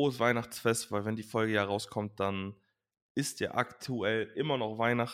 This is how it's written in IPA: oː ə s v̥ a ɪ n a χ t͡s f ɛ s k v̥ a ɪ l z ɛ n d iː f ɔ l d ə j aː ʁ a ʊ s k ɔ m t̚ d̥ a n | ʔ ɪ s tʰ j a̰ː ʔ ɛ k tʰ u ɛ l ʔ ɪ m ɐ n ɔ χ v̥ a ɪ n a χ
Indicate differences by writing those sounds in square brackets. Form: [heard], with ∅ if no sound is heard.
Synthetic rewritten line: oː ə s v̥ a ɪ n a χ t͡s f ɛ s [t] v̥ a ɪ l [v] ɛ n d iː f ɔ l [ɡ] ə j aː ʁ a ʊ s [kʰ] ɔ m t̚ d̥ a n | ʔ ɪ s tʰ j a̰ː ʔ [a] k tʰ u ɛ l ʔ ɪ m ɐ n ɔ χ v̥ a ɪ n a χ